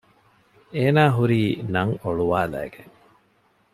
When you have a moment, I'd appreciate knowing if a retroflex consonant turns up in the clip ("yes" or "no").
yes